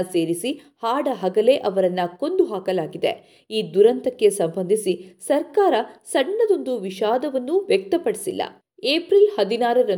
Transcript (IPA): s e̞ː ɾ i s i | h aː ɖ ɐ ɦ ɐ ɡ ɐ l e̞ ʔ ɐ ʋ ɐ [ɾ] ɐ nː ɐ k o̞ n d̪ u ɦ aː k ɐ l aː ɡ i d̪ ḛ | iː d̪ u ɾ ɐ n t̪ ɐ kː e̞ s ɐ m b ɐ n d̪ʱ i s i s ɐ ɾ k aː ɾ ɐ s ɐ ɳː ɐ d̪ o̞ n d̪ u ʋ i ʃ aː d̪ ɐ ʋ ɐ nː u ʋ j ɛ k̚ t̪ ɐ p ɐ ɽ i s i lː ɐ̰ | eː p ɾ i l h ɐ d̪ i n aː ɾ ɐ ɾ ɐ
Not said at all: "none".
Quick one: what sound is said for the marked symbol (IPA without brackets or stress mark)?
ɾ